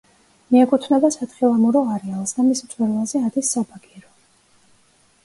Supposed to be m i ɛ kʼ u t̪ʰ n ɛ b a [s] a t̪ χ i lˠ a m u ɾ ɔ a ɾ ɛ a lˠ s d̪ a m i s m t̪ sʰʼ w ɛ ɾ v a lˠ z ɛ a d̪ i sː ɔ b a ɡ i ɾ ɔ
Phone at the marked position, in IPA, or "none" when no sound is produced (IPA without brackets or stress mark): s